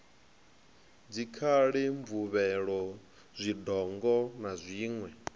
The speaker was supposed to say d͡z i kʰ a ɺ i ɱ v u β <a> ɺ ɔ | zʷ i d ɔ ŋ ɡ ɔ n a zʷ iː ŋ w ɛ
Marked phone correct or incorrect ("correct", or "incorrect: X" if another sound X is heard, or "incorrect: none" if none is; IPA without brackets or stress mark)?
incorrect: ɛ